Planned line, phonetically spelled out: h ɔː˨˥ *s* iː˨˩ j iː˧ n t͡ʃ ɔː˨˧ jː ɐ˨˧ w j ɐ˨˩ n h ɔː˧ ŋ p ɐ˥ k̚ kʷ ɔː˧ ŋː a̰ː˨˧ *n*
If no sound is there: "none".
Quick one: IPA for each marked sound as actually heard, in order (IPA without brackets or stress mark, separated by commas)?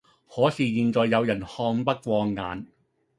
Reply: s, n